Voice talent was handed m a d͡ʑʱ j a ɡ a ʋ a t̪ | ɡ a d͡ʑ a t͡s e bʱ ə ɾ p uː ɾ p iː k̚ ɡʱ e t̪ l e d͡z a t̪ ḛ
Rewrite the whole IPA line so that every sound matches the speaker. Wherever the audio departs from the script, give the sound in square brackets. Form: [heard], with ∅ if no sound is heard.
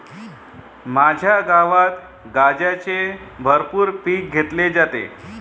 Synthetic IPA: m a d͡ʑʱ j a ɡ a ʋ a t̪ | ɡ a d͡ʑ a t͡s e bʱ ə ɾ p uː ɾ p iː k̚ ɡʱ e t̪ l e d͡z a t̪ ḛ